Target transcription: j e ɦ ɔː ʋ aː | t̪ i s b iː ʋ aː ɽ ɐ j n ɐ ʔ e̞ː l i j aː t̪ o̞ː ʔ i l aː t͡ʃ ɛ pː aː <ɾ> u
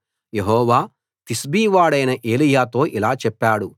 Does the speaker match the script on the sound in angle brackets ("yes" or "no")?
no